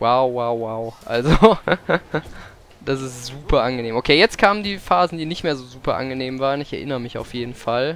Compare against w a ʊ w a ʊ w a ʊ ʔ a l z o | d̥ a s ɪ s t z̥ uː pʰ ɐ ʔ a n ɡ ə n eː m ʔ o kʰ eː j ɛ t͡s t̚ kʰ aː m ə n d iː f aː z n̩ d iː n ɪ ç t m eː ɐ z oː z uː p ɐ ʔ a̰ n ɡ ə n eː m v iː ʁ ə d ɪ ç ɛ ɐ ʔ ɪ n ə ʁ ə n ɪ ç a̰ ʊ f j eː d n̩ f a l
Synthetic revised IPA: w a ʊ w a ʊ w a ʊ ʔ a l z o | d̥ a s ɪ s t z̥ uː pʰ ɐ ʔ a n ɡ ə n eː m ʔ o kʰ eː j ɛ t͡s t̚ kʰ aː m ə n d iː f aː z n̩ d iː n ɪ ç t m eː ɐ z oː z uː p ɐ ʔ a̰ n ɡ ə n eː m v aː ʁ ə n ɪ ç ɛ ɐ ʔ ɪ n ə ʁ ə m ɪ ç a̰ ʊ f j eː d n̩ f a l